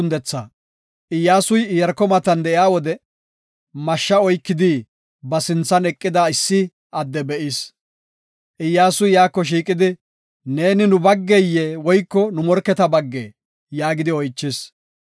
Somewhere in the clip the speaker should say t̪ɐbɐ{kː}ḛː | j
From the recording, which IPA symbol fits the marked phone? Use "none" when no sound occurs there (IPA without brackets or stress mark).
ɡː